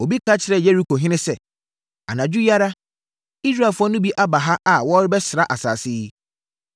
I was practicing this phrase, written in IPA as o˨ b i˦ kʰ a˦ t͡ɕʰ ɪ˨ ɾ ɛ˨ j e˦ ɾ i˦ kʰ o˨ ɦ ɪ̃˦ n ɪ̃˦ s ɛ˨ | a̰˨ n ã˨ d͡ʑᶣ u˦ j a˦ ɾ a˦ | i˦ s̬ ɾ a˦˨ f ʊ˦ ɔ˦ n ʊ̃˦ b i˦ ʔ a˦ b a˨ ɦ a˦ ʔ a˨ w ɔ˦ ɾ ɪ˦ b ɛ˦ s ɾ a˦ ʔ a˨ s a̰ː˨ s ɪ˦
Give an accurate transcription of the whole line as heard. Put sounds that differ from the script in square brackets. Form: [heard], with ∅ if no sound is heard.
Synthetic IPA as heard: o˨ b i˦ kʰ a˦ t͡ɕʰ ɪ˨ ɾ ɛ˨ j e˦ ɾ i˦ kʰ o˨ ɦ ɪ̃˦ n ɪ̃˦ s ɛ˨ | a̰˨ n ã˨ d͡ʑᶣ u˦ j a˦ ɾ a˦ | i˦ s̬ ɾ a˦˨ f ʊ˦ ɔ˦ n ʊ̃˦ b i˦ ʔ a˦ b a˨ ɦ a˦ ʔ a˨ w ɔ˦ ɾ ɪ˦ b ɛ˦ s ɾ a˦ ʔ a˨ s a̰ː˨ s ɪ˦